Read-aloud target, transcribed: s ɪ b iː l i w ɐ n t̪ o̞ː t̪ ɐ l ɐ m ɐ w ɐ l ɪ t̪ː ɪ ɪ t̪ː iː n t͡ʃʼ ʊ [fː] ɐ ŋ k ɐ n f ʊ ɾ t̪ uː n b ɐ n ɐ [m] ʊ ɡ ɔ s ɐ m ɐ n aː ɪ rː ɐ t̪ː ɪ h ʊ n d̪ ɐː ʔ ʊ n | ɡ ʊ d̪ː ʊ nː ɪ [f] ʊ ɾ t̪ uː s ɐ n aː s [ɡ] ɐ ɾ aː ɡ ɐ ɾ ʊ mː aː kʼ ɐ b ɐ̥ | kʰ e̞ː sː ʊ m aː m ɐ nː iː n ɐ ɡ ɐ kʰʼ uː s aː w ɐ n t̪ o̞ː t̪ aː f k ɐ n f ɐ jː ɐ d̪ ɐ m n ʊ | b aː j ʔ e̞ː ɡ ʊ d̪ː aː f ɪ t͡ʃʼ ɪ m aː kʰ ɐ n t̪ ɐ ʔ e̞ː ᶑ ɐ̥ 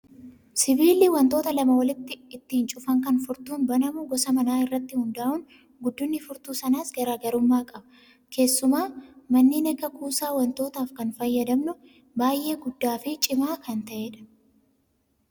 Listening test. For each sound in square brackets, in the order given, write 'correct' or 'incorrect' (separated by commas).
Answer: incorrect, correct, correct, correct